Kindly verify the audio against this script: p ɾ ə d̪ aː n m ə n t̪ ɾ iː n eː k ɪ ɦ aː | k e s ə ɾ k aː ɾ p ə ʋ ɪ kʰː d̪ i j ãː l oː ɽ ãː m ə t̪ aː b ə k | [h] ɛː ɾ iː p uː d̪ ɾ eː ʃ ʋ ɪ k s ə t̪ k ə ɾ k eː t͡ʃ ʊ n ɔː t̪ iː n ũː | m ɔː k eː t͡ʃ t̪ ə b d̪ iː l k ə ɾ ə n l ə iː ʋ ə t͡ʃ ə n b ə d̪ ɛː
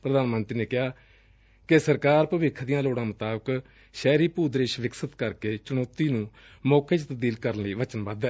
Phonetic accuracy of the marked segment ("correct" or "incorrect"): incorrect